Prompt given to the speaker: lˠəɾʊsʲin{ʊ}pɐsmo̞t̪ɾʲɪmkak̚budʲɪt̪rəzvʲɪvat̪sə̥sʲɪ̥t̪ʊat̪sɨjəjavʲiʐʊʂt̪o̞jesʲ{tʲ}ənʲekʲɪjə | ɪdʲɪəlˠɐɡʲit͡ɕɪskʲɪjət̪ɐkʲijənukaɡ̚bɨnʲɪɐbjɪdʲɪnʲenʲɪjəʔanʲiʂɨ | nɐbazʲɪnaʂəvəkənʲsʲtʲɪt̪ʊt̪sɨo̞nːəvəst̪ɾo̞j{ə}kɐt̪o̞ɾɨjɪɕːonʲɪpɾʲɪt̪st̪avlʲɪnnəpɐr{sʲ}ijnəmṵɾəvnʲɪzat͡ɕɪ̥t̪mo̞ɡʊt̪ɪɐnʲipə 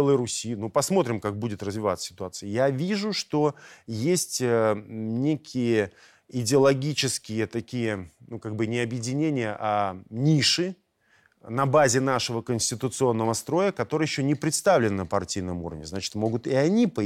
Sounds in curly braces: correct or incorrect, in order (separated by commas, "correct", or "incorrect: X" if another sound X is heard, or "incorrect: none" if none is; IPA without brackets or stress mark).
incorrect: u, correct, correct, incorrect: tʲ